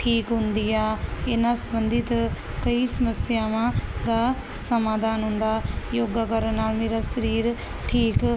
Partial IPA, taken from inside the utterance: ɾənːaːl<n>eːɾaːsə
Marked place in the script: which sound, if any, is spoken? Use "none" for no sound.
m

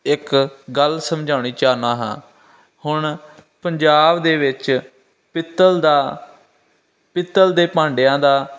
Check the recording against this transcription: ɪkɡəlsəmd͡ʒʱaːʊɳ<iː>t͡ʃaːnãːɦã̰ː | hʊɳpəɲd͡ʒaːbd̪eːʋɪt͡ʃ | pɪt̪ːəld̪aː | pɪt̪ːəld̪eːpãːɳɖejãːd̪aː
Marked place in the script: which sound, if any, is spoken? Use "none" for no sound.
iː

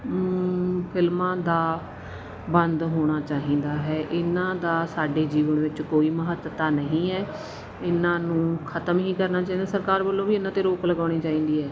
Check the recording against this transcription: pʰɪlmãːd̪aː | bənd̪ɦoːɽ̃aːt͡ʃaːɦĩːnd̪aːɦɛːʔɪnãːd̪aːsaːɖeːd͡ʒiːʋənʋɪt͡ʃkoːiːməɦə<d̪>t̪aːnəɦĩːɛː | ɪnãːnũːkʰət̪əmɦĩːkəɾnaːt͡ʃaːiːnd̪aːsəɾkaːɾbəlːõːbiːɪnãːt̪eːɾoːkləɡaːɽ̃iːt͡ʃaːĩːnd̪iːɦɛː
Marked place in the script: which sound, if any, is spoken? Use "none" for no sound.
t̪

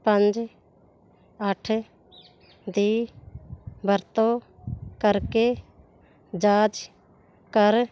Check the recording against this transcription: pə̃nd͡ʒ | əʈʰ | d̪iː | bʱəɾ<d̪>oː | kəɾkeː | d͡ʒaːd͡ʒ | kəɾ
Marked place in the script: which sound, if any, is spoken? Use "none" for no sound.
t̪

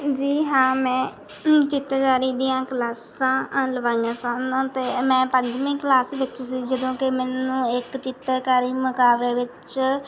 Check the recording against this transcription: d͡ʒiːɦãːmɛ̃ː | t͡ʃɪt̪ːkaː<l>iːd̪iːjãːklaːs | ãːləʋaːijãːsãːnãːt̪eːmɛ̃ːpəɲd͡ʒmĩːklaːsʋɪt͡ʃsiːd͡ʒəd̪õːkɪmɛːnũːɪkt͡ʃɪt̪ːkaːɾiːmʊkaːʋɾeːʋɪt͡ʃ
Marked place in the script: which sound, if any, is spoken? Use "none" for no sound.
ɾ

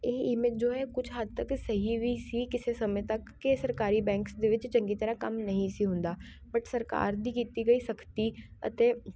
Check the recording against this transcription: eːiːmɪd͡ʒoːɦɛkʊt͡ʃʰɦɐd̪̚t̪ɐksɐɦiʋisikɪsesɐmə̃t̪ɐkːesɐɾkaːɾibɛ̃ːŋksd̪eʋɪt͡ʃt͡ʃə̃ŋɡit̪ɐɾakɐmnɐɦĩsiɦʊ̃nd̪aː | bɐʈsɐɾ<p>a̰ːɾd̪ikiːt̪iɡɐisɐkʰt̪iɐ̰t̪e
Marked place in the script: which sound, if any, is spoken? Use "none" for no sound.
k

